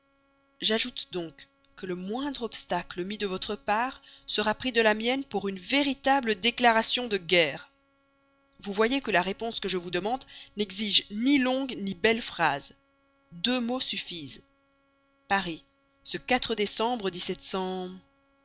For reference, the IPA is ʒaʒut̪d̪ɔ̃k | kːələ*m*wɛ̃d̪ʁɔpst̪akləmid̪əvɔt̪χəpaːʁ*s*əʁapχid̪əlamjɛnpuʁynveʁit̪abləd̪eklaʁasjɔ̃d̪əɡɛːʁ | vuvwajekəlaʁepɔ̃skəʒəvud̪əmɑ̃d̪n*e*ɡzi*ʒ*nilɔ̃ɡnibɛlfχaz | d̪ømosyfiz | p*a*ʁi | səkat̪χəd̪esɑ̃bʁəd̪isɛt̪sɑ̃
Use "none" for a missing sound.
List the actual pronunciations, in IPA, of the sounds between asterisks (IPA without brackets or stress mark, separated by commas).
m, s, ɛ, ʒ, a